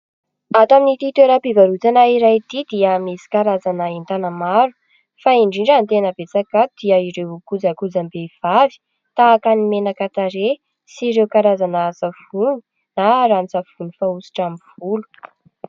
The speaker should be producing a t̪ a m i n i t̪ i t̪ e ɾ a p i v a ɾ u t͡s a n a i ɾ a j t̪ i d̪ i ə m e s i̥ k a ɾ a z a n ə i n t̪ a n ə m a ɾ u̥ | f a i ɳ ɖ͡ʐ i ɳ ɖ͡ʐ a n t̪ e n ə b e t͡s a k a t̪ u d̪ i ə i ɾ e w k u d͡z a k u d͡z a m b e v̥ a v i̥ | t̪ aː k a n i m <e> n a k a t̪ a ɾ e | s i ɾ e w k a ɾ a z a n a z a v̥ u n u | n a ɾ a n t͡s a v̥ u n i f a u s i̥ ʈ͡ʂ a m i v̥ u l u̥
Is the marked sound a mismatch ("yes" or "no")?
no